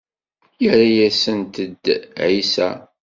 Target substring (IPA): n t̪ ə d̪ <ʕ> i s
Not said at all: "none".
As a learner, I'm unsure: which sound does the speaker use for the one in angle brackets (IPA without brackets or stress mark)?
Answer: ʕ